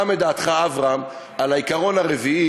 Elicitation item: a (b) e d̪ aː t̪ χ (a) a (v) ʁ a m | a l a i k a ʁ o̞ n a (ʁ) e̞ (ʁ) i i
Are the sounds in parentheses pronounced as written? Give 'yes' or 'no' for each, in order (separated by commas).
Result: no, yes, yes, yes, no